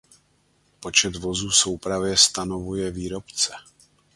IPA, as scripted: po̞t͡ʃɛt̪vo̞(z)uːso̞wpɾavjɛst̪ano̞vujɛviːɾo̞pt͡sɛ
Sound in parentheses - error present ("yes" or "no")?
no